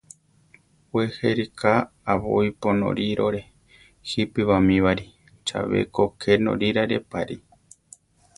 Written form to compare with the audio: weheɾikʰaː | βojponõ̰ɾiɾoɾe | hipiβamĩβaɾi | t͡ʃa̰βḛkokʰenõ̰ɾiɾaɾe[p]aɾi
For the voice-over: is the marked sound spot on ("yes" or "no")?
yes